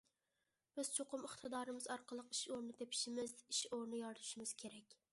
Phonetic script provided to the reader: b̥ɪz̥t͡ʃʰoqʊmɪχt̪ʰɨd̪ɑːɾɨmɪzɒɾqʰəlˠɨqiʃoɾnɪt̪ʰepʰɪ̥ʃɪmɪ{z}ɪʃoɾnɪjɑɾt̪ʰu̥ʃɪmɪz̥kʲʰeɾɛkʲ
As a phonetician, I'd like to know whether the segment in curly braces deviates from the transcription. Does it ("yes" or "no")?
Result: no